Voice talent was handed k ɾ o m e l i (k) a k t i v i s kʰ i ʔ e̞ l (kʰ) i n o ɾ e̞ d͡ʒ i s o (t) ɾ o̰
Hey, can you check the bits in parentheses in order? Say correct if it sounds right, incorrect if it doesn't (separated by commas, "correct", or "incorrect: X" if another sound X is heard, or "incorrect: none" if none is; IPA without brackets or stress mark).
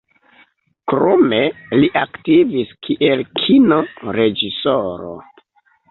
incorrect: ʔ, correct, incorrect: none